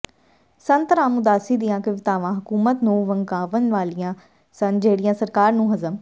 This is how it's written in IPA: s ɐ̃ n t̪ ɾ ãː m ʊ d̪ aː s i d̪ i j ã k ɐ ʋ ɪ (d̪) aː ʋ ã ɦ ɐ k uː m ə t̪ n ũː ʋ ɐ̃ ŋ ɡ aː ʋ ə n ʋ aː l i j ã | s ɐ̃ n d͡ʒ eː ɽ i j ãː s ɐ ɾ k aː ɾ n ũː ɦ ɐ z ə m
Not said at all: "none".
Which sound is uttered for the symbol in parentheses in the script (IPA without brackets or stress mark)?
t̪